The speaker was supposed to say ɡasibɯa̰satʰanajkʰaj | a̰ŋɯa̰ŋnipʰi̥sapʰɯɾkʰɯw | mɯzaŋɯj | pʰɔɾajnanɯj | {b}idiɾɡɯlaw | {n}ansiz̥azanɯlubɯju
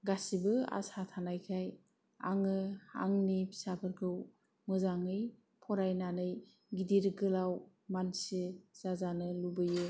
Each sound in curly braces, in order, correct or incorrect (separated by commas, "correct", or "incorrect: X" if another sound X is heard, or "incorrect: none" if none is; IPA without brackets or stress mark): incorrect: ɡ, incorrect: m